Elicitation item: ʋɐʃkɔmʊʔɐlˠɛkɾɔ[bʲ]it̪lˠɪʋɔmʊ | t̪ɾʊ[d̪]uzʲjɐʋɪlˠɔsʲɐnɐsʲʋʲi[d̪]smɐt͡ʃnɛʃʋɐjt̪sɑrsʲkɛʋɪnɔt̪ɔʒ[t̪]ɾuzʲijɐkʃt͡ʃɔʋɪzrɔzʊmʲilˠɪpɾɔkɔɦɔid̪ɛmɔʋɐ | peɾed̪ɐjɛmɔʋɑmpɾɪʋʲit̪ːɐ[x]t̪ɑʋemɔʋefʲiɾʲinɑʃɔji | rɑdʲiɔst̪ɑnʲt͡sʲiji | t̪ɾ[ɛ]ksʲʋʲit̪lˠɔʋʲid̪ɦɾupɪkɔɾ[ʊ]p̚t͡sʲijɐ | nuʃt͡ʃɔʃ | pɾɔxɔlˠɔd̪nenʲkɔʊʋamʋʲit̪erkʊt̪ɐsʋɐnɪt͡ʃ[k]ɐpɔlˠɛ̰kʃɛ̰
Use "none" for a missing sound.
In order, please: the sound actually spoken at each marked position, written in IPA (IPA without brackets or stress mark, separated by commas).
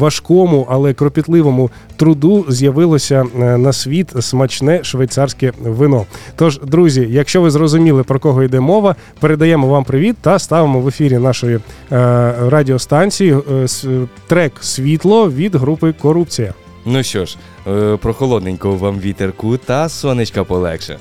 pʲ, d̪, t̪, d̪, s, ɛ, u, k